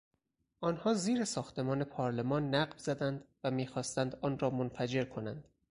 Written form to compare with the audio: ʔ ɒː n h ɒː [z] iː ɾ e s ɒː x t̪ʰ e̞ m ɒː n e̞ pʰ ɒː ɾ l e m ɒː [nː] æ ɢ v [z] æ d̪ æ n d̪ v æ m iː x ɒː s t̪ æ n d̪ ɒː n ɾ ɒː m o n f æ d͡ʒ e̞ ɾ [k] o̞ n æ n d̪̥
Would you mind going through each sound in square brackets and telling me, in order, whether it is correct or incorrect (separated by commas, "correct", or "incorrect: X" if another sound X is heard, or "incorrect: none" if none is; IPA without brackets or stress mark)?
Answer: correct, correct, correct, incorrect: kʰ